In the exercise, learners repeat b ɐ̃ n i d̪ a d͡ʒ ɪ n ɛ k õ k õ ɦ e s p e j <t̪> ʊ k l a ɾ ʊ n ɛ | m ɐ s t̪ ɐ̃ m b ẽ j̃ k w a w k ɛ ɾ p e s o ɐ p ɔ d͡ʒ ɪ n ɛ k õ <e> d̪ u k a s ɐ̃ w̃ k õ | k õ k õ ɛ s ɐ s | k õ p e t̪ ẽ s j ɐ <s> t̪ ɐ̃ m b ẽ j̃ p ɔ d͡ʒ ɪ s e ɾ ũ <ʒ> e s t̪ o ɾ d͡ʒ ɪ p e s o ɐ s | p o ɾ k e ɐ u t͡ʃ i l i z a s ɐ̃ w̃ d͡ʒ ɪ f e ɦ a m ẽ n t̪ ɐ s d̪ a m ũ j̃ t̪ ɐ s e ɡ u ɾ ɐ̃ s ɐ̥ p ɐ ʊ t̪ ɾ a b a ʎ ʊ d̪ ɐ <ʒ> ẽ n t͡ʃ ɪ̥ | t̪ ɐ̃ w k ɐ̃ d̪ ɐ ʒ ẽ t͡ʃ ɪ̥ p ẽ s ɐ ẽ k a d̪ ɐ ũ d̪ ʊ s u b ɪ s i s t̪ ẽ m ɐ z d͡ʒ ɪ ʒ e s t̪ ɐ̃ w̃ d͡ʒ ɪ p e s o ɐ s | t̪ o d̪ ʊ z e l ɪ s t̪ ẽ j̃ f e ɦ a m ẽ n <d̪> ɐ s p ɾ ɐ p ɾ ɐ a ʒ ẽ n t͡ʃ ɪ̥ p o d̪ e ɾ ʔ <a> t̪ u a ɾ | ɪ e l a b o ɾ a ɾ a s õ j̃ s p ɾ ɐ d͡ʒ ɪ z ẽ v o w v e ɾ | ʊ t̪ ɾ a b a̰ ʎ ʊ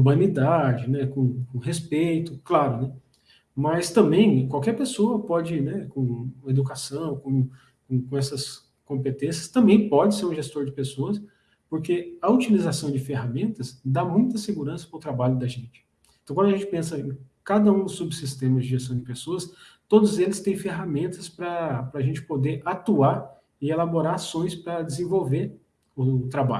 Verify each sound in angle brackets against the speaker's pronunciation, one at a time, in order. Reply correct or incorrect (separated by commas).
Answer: correct, correct, correct, correct, correct, incorrect, correct